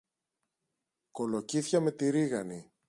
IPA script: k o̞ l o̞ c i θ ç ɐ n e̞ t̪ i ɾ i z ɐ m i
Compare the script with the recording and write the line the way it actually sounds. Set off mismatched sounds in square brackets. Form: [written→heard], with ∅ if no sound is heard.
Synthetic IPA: k o̞ l o̞ c i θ ç ɐ [n→m] e̞ t̪ i ɾ i [z→ɣ] ɐ [m→n] i

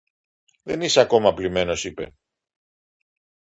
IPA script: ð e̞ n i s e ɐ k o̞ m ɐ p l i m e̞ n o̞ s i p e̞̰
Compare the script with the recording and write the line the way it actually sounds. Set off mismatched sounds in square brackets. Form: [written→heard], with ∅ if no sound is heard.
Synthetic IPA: ð e̞ n i s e ɐ k o̞ m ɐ p l i m e̞ n o̞ s i p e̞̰

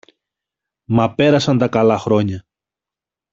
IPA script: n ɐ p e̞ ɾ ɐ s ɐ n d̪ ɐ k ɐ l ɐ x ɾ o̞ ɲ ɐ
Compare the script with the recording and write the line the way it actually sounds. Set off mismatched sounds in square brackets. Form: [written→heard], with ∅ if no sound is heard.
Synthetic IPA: [n→m] ɐ p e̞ ɾ ɐ s ɐ n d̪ ɐ k ɐ l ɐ x ɾ o̞ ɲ ɐ

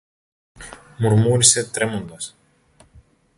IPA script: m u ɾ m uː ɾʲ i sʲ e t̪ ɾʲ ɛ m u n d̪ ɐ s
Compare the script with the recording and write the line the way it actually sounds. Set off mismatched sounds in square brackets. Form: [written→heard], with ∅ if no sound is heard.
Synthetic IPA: m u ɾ m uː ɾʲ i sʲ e t̪ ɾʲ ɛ m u n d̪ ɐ s

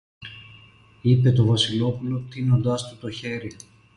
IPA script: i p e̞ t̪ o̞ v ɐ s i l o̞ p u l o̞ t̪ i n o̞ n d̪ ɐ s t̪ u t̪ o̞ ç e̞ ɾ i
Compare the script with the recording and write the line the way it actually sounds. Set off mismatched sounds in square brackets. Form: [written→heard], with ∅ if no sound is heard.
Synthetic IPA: i p e̞ t̪ o̞ v ɐ s i l o̞ p u l o̞ t̪ i n o̞ n d̪ ɐ s t̪ u t̪ o̞ ç e̞ ɾ i

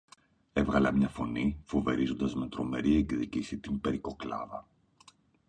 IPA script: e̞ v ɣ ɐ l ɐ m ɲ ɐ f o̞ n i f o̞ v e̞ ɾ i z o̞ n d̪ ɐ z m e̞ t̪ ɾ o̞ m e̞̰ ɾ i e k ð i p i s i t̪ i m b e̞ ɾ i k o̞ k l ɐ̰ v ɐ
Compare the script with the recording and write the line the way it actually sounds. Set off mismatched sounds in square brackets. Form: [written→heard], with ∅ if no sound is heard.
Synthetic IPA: e̞ v ɣ ɐ l ɐ m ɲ ɐ f o̞ n i f o̞ v e̞ ɾ i z o̞ n d̪ ɐ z m e̞ t̪ ɾ o̞ m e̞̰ ɾ i e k ð i [p→c] i s i t̪ i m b e̞ ɾ i k o̞ k l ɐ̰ v ɐ

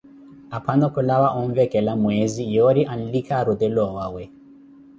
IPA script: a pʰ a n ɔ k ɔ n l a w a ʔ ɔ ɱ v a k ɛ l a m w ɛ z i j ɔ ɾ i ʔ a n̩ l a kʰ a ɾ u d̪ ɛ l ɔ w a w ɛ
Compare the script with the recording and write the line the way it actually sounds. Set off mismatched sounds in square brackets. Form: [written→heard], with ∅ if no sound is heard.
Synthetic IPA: a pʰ a n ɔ k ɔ [n→∅] l a w a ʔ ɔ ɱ v [a→ɛ] k ɛ l a m w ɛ z i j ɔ ɾ i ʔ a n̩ l [a→i] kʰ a ɾ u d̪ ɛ l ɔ w a w ɛ

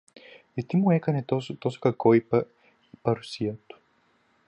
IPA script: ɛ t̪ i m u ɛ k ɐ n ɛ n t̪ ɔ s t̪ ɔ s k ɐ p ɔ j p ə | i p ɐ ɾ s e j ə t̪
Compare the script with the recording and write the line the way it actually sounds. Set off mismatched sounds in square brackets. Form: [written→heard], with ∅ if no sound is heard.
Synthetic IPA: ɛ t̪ i m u ɛ k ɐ n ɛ [n→∅] t̪ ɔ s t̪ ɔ s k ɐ [p→k] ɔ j p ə | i p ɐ ɾ s [e→i] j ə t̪

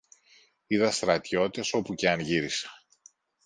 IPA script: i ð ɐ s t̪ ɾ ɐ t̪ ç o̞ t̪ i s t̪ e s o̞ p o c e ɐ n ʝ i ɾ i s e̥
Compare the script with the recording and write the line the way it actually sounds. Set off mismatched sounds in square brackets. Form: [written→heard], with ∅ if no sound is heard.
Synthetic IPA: i ð ɐ s t̪ ɾ ɐ t̪ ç o̞ t̪ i [s→∅] t̪ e s o̞ p [o→u] c e ɐ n ʝ i ɾ i s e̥

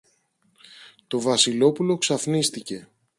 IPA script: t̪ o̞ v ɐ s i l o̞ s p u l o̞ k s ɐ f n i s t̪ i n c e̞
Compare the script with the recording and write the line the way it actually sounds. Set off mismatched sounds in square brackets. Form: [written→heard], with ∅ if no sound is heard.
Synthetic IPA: t̪ o̞ v ɐ s i l o̞ [s→∅] p u l o̞ k s ɐ f n i s t̪ i [n→∅] c e̞

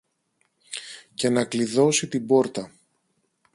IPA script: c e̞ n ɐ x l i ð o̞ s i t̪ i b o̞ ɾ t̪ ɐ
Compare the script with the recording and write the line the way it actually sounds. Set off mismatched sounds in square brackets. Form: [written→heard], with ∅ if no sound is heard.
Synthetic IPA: c e̞ n ɐ [x→k] l i ð o̞ s i t̪ i b o̞ ɾ t̪ ɐ

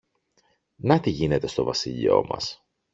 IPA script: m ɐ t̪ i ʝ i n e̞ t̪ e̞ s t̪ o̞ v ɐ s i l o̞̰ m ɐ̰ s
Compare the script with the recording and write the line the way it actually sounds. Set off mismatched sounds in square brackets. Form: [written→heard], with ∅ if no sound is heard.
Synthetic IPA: [m→n] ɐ t̪ i ʝ i n e̞ t̪ e̞ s t̪ o̞ v ɐ s i [l→ʎ] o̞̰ m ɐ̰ s

